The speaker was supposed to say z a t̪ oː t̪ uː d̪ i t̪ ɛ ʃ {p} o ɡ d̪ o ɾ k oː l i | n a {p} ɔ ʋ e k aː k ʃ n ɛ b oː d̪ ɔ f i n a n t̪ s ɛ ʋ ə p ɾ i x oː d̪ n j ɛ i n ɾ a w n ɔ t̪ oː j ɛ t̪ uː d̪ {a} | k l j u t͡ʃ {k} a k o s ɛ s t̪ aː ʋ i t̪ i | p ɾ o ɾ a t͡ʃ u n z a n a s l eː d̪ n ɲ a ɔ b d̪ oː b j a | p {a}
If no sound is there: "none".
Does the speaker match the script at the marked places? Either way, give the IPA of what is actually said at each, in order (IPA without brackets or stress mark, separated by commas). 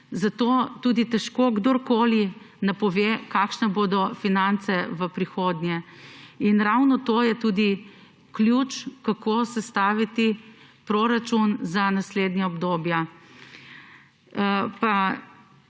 k, p, i, k, a